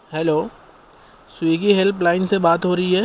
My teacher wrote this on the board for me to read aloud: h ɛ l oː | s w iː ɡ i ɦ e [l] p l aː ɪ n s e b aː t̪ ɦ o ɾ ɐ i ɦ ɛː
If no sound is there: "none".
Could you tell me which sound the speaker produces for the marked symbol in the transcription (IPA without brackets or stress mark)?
l